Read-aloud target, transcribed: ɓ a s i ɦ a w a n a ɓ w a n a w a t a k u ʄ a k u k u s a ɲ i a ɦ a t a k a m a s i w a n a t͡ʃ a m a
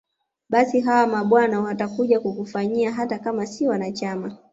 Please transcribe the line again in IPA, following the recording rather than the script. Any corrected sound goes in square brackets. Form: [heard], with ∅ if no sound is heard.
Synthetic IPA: ɓ a s i ɦ a w a [m] a ɓ w a n a w a t a k u ʄ a k u k u [f] a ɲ i a ɦ a t a k a m a s i w a n a t͡ʃ a m a